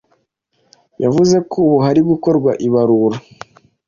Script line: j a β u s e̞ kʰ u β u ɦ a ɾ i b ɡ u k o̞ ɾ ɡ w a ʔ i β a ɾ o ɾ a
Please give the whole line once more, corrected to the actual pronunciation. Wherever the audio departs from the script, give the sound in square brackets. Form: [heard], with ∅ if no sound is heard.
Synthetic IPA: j a [v] u [z] e̞ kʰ u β u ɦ a ɾ i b ɡ u k o̞ ɾ ɡ w a ʔ i β a ɾ [u] ɾ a